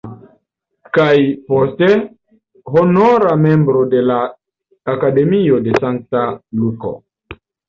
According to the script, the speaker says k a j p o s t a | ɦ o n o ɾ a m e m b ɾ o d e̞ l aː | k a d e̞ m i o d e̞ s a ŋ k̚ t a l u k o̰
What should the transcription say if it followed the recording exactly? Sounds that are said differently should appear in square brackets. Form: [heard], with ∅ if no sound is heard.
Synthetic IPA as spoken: k a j p o s t [e] | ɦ o n o ɾ a m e m b ɾ o d e̞ l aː | k a d e̞ m i o d e̞ s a ŋ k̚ t a l u k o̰